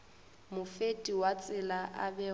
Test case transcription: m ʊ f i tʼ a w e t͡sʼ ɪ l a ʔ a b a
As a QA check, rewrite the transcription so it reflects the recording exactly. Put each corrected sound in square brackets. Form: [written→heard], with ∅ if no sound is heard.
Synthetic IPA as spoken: m ʊ f [i→e] tʼ [a→i] w [e→a] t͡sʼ ɪ l a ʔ a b [a→ɛ]